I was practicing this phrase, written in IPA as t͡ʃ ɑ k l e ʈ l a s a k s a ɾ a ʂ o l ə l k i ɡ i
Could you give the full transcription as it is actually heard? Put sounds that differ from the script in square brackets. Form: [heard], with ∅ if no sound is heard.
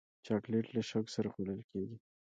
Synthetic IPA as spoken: t͡ʃ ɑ k l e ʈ l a [ʃ] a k s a ɾ a [x] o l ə l k [e] ɡ i

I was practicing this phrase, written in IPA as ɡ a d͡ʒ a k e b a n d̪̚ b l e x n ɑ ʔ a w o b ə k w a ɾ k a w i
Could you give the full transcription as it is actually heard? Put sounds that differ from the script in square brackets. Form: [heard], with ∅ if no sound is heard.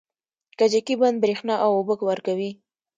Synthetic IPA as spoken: [k] a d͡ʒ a k [i] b a n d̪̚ b [ɾ] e x n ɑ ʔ a w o b ə k w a ɾ k a w i

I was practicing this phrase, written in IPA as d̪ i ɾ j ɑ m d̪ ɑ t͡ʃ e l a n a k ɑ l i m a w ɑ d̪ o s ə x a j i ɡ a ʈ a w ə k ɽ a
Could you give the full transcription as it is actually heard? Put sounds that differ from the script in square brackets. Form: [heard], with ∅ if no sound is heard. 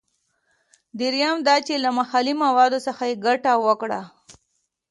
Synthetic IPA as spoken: d̪ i ɾ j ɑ m d̪ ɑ t͡ʃ e l a [m] a [x] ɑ l i m a w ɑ d̪ o s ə x a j [e] ɡ a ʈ a w ə k ɽ a

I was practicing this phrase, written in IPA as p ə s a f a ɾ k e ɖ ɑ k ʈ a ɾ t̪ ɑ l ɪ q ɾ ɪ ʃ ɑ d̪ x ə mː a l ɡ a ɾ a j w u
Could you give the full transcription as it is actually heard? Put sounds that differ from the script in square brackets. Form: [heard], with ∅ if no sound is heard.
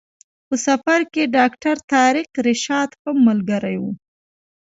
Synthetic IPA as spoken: p ə s a f a ɾ k e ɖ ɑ k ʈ a ɾ t̪ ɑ [ɾ] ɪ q ɾ ɪ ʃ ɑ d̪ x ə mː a l ɡ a ɾ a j w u

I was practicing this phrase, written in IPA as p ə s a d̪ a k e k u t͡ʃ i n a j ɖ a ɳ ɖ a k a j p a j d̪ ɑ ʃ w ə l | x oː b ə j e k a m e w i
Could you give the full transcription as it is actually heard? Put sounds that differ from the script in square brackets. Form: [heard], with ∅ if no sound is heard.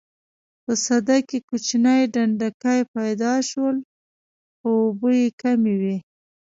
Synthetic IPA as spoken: p ə s a d̪ a k e k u t͡ʃ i n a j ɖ a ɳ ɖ a k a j p a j d̪ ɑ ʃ w ə l | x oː b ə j e k a m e w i

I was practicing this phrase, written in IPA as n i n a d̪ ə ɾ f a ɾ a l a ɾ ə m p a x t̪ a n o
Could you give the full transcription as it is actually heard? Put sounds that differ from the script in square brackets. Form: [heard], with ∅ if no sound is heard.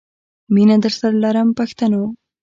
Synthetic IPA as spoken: [m] i n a d̪ ə ɾ [s] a ɾ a l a ɾ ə m p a x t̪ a n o

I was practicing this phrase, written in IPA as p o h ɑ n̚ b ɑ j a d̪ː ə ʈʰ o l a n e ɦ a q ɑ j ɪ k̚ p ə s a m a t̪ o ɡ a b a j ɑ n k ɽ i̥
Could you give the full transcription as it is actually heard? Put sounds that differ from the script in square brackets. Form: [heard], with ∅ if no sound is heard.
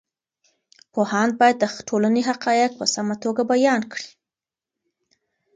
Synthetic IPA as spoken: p o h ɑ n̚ b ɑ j a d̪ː ə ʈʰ o l a n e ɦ a q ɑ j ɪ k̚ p ə s a m a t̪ o ɡ a b a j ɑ n k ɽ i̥

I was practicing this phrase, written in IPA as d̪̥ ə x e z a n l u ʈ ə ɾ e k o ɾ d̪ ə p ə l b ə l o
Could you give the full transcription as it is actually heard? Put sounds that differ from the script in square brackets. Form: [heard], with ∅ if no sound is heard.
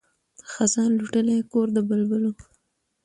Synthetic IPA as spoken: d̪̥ ə x [a] z [ɑ] n l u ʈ ə [l] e k o ɾ d̪ ə [b] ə l b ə l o

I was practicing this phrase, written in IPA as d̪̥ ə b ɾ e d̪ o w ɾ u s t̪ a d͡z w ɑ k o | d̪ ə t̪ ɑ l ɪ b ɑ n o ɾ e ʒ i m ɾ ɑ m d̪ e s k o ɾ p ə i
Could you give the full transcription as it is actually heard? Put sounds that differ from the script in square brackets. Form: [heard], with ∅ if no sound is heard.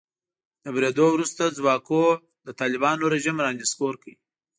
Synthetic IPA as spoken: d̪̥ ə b ɾ e d̪ o w ɾ u s t̪ a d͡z w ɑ k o | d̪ ə t̪ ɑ l ɪ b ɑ n o ɾ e ʒ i m ɾ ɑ [n] d̪ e s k o ɾ [k] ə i

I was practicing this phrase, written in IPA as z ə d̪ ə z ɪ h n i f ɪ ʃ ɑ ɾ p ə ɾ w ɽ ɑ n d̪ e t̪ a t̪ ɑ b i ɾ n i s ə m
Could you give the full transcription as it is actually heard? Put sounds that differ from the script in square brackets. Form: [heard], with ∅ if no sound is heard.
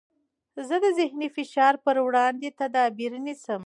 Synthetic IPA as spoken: z ə d̪ ə z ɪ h n i f ɪ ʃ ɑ ɾ p ə ɾ w ɽ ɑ n d̪ e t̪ a [d̪] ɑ b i ɾ n i s ə m

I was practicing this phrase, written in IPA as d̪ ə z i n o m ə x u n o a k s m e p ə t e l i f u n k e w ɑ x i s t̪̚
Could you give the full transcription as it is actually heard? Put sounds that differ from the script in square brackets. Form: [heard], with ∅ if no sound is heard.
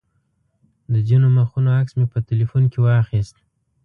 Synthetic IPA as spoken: d̪ ə z i n o m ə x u n o a k s m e p ə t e l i f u n k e w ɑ x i s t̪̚

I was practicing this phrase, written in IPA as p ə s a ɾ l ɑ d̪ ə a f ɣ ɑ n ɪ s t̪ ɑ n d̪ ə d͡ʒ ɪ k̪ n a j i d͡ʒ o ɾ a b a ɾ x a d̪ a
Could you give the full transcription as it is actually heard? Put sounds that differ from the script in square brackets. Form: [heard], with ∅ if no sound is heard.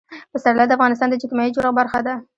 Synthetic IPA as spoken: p ə s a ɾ l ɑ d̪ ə a f ɣ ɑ n ɪ s t̪ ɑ n d̪ ə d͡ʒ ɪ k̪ [m] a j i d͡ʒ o ɾ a b a ɾ x a d̪ a

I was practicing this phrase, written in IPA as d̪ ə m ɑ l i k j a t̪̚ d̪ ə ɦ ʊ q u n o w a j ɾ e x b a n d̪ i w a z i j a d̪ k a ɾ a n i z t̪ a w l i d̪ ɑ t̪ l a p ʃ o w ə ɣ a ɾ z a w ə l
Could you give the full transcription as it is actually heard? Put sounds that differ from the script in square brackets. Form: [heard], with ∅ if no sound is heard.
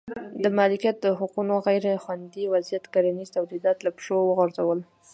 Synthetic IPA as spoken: d̪ ə m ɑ l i k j a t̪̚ d̪ ə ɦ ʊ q u n o [ɣ] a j ɾ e x [w] a n d̪ i w a z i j a [t̪] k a ɾ a n i z t̪ a w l i d̪ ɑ t̪ l a p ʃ o w ə ɣ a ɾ z a w ə l

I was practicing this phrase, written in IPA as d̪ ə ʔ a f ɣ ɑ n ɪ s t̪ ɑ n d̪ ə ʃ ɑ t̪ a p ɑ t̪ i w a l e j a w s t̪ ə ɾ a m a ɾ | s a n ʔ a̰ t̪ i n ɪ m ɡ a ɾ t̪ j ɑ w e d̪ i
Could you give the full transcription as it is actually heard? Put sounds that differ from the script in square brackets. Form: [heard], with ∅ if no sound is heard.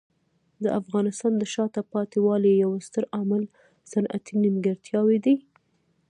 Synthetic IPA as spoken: d̪ ə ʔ a f ɣ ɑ n ɪ s t̪ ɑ n d̪ ə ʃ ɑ t̪ a p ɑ t̪ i w [ɑ] l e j a w s t̪ ə ɾ a m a [l] | s a n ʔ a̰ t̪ i n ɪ m ɡ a ɾ t̪ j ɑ w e d̪ i

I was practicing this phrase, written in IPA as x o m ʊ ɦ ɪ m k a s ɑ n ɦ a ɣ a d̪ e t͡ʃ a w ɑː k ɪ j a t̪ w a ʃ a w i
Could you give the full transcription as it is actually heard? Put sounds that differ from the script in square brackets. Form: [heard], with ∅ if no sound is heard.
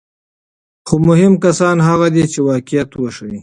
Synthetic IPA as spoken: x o m ʊ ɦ ɪ m k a s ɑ n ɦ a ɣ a d̪ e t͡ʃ [e] w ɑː k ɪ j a t̪ w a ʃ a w i

